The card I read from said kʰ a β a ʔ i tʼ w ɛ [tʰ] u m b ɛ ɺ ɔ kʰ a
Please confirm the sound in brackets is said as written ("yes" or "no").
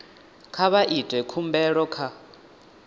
no